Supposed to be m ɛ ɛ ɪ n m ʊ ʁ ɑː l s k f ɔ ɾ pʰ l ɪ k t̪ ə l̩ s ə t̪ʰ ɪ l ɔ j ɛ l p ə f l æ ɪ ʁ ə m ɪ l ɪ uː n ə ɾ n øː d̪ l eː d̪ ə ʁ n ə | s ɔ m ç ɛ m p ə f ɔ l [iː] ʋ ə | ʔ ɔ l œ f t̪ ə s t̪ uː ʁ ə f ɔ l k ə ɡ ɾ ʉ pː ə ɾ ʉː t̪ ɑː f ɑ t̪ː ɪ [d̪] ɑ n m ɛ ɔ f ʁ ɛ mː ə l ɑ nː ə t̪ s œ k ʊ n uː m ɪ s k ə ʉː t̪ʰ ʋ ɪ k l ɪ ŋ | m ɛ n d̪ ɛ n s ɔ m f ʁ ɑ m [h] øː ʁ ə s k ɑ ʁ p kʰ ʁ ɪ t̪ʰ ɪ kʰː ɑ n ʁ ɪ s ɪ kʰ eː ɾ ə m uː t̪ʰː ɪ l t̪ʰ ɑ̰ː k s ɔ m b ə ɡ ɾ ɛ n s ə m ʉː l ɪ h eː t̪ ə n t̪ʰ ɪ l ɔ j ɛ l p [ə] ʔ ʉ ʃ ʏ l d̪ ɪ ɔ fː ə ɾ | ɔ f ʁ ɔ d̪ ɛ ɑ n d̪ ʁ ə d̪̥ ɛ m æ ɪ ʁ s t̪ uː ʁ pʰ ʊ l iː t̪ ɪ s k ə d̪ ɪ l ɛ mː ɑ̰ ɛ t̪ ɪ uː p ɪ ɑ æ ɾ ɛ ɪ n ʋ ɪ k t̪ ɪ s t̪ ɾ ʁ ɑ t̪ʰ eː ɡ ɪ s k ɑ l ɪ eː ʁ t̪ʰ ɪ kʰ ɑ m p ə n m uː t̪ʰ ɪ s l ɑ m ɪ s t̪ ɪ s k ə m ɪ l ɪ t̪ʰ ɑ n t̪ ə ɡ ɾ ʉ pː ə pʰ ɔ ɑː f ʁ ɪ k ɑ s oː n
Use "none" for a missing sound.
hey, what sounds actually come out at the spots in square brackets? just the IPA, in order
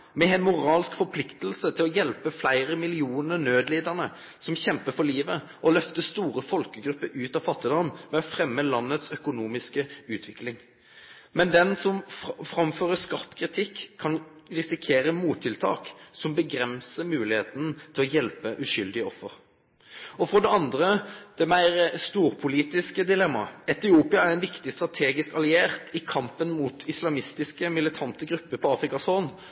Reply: iː, d̪, f, ə

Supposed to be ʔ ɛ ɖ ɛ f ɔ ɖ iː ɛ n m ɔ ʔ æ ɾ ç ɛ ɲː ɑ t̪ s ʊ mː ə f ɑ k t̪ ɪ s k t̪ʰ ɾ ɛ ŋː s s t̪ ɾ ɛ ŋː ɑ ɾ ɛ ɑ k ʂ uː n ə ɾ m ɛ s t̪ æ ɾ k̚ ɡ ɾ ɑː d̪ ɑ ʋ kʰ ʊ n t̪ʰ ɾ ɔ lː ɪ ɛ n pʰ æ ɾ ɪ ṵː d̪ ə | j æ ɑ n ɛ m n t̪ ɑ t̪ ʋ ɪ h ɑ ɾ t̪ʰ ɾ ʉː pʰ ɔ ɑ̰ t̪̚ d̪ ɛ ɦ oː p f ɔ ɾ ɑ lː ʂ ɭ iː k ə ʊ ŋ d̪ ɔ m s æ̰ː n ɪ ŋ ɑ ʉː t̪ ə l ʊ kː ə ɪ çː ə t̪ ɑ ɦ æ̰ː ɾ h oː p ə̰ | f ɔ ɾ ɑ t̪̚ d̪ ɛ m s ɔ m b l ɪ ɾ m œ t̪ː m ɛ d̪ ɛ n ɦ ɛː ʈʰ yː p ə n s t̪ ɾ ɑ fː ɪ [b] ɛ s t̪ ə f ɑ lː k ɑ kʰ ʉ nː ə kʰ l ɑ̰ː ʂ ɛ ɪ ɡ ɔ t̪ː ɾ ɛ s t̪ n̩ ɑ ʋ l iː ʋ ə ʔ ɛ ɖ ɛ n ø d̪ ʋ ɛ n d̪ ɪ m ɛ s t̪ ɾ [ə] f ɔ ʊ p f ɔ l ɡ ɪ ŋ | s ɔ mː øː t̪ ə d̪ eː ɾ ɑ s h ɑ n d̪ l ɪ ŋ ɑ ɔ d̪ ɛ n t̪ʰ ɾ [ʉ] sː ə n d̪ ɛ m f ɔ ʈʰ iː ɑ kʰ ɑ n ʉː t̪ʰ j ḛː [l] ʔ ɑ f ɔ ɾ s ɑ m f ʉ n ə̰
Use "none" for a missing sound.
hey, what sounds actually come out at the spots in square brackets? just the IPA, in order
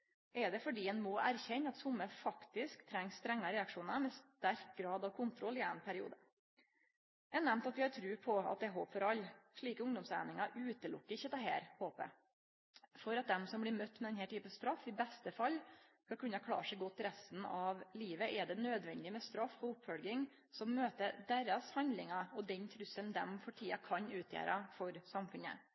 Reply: b, ɑ, ʉ, ɾ

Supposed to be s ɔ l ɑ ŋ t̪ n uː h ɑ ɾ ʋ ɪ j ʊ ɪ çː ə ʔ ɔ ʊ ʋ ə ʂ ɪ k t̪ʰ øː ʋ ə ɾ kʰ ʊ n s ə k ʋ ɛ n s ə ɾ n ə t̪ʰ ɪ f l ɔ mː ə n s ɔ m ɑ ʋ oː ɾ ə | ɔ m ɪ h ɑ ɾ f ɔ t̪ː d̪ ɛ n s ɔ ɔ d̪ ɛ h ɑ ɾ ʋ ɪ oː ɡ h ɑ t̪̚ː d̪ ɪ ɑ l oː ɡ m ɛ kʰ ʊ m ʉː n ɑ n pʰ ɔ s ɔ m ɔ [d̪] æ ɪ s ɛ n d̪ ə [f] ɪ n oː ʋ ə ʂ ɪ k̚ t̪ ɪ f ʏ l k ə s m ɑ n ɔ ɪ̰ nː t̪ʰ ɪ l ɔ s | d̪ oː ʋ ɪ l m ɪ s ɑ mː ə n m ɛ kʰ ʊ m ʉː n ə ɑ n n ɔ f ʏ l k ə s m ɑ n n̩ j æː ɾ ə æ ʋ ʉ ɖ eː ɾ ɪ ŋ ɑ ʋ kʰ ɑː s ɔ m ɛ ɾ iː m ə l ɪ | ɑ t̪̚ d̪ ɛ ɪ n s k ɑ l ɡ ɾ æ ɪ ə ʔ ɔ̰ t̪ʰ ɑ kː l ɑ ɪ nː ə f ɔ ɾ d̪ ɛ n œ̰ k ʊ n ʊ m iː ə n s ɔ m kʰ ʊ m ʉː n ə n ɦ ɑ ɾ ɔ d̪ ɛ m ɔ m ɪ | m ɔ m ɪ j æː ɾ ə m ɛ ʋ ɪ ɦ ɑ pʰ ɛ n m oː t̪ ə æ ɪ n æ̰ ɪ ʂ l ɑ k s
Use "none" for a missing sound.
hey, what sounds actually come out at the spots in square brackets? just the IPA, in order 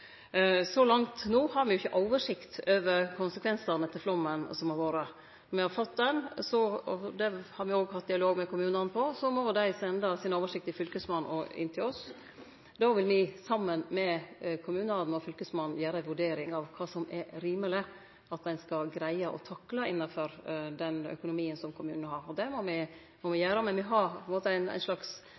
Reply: d̪, s

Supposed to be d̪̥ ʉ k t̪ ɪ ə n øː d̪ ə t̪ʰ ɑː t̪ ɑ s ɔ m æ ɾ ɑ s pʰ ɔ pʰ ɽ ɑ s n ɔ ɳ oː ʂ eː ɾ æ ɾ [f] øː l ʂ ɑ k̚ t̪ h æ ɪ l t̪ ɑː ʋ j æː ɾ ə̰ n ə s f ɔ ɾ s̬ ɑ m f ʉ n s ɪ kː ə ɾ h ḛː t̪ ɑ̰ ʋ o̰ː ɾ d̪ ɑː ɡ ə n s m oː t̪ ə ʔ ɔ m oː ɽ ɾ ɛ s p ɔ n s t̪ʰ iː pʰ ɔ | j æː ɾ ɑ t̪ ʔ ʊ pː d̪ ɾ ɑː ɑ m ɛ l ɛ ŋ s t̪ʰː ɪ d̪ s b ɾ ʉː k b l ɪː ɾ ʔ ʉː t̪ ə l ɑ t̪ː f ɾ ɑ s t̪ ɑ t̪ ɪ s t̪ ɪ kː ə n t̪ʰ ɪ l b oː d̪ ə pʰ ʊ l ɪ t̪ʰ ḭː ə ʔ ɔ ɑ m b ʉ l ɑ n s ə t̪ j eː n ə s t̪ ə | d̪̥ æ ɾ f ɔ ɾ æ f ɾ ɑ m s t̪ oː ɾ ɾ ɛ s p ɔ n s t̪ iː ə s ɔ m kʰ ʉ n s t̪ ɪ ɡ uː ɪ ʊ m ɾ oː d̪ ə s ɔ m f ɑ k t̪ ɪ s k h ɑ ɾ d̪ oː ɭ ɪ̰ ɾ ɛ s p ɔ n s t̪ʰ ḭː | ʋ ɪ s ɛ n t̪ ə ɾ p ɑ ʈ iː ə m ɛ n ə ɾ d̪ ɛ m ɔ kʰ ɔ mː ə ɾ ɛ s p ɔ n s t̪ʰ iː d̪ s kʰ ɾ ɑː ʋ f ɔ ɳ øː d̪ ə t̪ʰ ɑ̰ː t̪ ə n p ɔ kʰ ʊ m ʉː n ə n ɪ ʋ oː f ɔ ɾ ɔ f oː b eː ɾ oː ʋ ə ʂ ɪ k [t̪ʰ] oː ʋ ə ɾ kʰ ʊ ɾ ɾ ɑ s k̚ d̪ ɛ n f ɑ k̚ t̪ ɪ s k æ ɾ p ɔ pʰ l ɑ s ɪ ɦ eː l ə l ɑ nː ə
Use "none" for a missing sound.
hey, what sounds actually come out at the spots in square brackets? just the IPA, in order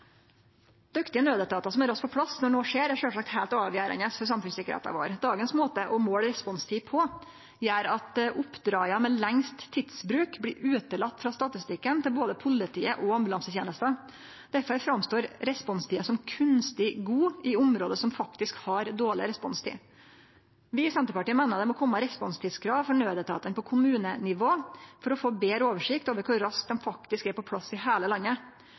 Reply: ʂ, t̪

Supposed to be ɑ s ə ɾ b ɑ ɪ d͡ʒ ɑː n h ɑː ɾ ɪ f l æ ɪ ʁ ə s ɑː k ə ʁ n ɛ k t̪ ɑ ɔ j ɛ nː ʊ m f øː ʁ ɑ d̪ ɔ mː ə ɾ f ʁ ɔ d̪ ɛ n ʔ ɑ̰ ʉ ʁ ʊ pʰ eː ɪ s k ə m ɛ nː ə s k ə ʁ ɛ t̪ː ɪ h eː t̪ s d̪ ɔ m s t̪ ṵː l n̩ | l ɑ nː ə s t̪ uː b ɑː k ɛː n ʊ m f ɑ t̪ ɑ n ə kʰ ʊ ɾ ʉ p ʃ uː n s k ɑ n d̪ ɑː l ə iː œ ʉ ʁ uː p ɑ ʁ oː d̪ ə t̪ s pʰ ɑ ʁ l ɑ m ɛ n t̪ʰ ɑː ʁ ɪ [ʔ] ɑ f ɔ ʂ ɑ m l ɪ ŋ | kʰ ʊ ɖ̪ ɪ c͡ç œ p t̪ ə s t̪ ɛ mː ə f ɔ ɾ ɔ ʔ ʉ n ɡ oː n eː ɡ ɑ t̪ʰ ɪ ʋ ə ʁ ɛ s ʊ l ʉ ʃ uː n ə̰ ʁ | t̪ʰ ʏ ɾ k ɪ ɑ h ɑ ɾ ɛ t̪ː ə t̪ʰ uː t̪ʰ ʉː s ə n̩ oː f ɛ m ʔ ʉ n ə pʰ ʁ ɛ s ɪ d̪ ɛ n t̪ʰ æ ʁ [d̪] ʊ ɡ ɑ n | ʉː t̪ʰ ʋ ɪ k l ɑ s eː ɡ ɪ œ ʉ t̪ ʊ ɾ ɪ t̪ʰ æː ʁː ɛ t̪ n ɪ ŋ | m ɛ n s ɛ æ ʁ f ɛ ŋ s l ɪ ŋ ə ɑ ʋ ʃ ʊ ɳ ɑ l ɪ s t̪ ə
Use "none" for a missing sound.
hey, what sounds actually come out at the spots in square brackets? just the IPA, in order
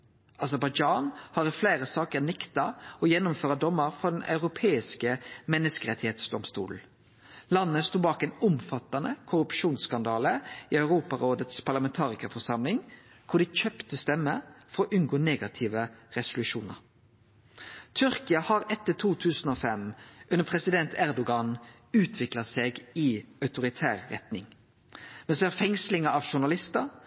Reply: k, d̪

